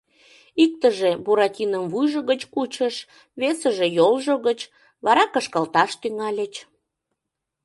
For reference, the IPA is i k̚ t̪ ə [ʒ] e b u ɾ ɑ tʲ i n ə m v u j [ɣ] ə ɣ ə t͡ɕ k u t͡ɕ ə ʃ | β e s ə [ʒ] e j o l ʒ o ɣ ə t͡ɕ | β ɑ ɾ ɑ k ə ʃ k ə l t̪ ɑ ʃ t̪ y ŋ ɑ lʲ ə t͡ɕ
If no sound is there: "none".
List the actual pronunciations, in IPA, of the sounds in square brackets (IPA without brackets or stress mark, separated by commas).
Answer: ʒ, ʒ, ʒ